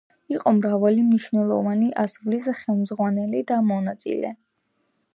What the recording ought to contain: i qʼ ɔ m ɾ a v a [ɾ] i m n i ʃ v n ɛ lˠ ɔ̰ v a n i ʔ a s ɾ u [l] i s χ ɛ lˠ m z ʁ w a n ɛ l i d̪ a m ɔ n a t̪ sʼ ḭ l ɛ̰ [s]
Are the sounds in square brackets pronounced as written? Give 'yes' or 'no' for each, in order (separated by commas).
no, yes, no